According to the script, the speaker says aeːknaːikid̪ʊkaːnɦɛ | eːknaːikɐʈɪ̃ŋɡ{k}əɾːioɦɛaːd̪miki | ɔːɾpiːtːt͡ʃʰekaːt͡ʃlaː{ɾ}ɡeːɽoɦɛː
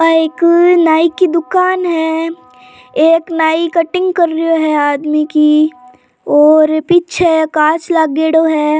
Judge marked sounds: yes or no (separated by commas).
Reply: yes, no